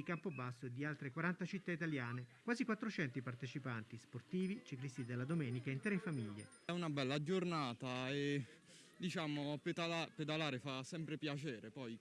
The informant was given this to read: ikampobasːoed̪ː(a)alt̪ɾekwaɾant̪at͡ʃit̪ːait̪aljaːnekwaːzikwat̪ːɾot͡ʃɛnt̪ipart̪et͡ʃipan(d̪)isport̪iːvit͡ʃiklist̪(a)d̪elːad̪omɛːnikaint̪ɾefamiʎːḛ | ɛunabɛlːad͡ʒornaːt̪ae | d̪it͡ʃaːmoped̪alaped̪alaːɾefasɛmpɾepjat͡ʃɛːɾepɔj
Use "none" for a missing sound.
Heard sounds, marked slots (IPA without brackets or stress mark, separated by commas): i, t̪, i